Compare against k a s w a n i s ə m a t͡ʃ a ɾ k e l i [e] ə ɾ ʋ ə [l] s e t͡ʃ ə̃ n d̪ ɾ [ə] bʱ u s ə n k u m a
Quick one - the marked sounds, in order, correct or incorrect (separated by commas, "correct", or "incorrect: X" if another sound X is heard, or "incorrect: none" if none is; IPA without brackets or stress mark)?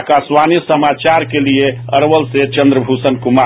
correct, correct, correct